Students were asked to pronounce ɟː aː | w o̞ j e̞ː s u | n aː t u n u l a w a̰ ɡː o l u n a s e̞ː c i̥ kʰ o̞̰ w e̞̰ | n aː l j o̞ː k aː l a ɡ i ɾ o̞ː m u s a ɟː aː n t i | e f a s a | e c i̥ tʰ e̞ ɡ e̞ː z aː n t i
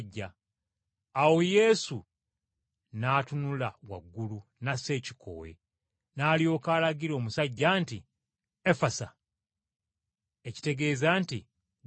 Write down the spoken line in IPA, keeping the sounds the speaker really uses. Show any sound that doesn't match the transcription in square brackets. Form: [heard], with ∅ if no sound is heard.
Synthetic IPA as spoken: ɟː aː | w o̞ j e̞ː s u | n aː t u n u l a w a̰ ɡː [u] l u n a s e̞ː c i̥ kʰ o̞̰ w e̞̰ | n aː l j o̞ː k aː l a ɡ i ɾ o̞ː m u s a ɟː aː n t i | e f a s a | e c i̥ [t] e̞ ɡ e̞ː z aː n t i